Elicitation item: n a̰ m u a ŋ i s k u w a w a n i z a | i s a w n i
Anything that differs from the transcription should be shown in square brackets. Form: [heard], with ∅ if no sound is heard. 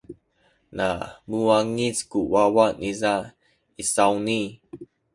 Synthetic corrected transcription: n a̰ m u a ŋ i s k u w a w a n i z a | i s a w n i